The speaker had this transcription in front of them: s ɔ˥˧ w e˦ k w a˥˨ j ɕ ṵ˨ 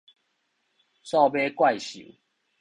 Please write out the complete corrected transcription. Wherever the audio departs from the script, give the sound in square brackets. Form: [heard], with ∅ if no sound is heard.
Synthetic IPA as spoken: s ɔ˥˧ [b] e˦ k w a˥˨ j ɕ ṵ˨